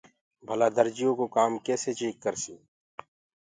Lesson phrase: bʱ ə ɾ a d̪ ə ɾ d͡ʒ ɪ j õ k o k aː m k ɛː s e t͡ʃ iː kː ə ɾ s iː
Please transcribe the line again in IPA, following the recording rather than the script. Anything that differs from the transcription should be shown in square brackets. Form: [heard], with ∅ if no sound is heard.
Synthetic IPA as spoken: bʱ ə [l] a d̪ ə ɾ d͡ʒ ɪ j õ k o k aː m k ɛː s e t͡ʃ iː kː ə ɾ s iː